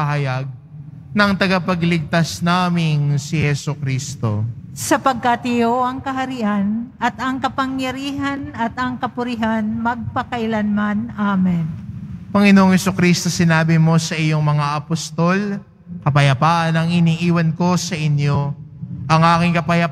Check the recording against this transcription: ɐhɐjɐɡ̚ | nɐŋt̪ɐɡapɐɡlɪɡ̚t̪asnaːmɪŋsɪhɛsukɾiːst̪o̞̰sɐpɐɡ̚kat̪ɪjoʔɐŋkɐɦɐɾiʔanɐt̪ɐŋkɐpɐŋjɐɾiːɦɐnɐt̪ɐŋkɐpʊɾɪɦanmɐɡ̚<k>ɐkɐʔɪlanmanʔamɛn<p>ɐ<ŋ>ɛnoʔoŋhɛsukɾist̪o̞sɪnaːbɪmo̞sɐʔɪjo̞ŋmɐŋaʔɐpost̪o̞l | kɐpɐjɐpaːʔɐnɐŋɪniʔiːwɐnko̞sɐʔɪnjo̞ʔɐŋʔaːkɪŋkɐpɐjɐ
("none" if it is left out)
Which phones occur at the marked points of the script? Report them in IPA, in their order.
p, p, ŋ

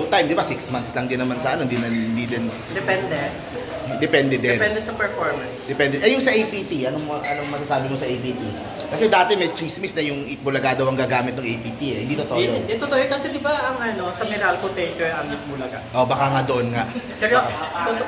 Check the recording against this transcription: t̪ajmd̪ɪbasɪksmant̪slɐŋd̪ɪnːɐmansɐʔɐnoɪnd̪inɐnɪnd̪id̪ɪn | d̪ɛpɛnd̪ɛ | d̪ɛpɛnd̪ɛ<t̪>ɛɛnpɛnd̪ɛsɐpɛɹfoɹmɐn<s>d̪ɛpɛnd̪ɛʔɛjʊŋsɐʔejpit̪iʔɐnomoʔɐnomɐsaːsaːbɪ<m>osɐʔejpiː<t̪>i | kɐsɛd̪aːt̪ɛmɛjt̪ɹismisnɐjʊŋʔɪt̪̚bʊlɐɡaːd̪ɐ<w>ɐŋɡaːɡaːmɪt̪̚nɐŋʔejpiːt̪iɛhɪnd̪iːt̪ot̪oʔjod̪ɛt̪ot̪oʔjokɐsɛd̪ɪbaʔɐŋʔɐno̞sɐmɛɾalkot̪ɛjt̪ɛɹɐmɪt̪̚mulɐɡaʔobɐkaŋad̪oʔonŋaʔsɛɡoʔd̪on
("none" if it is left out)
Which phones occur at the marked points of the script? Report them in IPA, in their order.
d̪, s, m, t̪, w

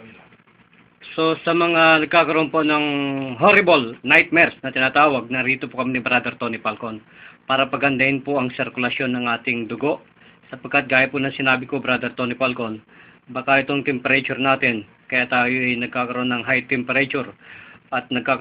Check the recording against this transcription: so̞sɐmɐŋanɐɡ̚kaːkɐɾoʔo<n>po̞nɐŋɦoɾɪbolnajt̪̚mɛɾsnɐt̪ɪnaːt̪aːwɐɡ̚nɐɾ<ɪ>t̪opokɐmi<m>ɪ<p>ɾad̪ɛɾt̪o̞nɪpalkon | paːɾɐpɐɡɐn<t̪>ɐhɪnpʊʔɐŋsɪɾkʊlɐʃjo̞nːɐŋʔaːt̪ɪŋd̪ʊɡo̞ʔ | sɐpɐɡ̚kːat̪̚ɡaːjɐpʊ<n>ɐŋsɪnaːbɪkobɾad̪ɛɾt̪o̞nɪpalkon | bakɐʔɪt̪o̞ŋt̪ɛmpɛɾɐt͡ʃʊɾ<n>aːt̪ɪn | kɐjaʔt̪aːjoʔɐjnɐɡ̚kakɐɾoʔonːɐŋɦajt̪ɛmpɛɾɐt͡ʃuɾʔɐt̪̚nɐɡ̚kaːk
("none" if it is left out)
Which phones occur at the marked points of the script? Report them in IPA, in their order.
n, i, n, b, d̪, n, n

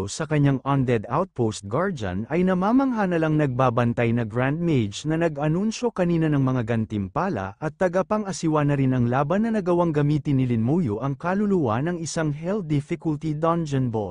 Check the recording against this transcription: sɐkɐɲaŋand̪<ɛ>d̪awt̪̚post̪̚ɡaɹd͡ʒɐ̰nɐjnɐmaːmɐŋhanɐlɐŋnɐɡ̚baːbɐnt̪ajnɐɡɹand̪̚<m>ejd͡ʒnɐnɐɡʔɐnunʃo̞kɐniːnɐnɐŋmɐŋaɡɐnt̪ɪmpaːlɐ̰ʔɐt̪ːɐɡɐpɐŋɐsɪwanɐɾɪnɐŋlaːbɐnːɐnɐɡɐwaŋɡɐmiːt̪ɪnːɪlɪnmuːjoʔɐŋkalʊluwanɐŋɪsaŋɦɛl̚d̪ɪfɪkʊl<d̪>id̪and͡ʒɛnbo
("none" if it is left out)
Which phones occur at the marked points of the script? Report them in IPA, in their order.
ɛ, m, t̪

